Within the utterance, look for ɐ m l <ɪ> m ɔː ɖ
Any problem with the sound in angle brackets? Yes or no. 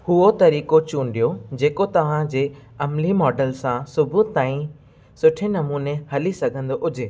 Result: yes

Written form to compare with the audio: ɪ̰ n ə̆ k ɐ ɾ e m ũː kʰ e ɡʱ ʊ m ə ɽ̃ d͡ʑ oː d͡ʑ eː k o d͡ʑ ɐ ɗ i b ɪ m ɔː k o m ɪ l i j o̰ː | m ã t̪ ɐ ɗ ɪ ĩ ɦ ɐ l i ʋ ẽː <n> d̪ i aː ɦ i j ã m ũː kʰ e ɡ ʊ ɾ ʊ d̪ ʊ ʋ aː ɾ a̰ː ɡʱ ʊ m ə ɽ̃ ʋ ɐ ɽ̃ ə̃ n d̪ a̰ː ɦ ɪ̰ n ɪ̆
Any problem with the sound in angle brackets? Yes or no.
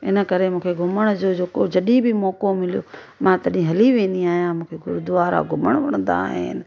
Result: no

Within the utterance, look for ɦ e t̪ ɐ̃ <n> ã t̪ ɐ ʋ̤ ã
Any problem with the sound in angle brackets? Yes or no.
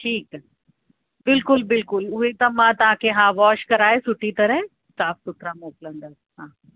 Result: yes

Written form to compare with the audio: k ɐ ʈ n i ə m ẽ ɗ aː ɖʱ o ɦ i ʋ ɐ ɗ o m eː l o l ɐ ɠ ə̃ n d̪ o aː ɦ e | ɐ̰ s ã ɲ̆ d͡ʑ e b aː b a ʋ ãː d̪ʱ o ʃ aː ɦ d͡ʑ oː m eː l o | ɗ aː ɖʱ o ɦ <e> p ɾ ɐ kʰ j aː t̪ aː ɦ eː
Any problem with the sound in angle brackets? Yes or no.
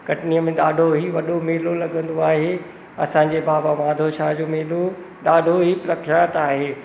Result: yes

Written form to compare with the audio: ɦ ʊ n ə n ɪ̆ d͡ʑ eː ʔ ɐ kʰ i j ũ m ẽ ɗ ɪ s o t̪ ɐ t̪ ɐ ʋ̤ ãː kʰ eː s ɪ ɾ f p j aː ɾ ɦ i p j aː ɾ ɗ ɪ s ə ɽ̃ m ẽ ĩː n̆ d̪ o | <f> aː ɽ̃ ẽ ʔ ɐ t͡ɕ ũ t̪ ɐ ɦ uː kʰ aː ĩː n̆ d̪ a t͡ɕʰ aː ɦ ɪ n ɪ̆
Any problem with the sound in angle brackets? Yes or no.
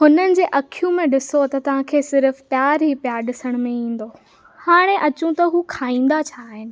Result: yes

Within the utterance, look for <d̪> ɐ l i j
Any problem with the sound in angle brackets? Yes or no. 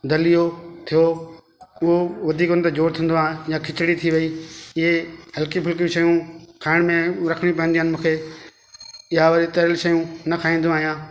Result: no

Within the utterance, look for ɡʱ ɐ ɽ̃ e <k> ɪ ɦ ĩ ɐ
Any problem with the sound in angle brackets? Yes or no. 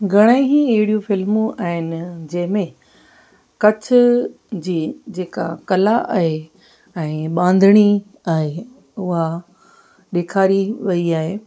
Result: yes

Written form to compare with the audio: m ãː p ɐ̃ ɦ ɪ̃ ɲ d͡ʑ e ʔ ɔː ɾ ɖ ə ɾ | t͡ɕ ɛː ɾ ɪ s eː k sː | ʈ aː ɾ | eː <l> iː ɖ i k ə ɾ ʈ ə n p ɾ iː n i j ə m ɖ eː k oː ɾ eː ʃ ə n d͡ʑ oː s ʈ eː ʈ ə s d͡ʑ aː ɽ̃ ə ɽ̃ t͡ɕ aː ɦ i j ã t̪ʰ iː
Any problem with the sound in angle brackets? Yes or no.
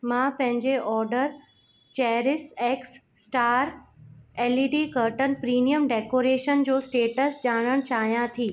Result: no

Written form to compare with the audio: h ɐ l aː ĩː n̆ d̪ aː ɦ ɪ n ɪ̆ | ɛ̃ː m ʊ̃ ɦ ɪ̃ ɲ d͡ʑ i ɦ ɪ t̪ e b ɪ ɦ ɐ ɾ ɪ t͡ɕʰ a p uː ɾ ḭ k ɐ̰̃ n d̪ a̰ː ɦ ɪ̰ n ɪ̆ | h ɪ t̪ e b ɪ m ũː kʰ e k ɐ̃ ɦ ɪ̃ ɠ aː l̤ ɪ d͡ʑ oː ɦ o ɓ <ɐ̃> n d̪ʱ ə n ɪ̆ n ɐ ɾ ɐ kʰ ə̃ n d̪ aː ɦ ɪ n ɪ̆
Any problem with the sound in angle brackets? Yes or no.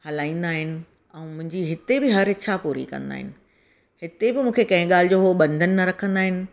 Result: no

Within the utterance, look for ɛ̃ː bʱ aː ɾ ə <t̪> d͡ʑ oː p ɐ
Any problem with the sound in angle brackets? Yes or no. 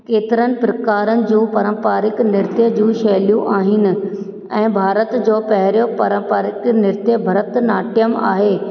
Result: no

